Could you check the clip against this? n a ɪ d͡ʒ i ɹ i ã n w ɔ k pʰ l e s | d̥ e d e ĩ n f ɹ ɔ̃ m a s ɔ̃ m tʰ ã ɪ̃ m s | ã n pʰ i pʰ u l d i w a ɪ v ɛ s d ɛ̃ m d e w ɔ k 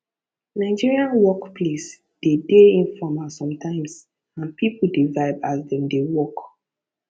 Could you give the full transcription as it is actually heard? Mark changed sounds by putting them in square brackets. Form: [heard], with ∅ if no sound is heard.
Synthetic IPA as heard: n a ɪ d͡ʒ i ɹ i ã n w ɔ k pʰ l e s | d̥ e d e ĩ n f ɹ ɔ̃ m a s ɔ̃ m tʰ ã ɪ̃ m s | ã n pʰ i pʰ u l d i [v] a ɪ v [a] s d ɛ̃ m d e w ɔ k